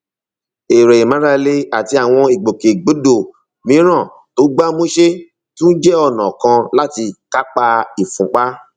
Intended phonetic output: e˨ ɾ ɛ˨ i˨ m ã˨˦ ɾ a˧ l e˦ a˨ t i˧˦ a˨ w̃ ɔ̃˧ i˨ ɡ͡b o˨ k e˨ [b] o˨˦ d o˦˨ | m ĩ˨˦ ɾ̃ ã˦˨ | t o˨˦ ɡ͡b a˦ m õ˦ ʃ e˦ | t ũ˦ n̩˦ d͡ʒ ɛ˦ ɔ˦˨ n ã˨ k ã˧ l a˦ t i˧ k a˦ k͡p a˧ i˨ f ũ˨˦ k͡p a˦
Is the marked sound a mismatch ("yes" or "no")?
yes